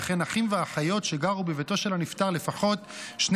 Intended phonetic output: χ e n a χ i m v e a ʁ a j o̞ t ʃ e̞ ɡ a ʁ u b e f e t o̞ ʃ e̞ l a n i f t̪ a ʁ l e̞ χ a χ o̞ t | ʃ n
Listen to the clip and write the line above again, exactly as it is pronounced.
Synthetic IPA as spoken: χ e n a χ i m v e a χ a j o̞ t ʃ e̞ ɡ a ʁ u b e v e t o̞ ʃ e̞ l a n i f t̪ a ʁ l e̞ f a χ o̞ t | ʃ n